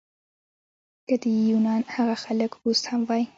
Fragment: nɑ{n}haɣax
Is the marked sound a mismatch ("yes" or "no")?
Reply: no